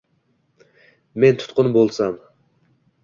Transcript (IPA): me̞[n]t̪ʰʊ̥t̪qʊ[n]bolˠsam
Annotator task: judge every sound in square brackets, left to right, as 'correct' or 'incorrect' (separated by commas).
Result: correct, correct